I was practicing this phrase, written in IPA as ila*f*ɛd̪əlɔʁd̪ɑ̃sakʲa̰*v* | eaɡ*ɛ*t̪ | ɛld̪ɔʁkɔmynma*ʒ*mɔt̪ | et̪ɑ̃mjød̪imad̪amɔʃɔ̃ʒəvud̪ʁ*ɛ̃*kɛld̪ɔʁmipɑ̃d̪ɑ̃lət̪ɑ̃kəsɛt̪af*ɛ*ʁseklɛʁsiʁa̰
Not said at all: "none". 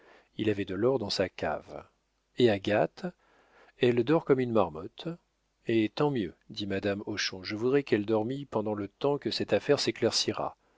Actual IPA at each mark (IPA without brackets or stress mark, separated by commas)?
v, v, a, ʁ, ɛ, ɛ